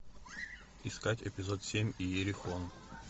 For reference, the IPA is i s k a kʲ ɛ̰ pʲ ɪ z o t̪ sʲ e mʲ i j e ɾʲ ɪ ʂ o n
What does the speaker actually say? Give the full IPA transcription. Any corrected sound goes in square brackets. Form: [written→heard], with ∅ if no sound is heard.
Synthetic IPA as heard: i s k a [kʲ→tʲ] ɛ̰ pʲ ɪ z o t̪ sʲ e mʲ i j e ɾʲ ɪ [ʂ→x] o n